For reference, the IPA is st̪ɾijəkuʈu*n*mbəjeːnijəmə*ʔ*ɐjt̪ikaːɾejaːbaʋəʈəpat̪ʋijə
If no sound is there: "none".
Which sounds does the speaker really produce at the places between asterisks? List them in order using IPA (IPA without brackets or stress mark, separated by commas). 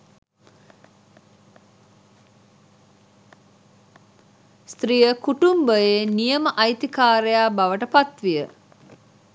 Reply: none, ʔ